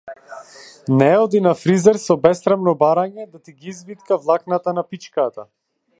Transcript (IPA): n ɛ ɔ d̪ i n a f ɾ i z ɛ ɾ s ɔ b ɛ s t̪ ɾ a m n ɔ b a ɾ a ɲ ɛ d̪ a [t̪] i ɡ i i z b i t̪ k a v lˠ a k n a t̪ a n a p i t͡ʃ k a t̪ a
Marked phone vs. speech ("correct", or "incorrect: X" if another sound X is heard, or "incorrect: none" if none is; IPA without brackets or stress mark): correct